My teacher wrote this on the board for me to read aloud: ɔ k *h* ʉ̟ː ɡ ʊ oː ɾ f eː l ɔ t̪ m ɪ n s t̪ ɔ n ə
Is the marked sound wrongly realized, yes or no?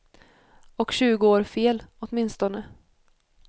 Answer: yes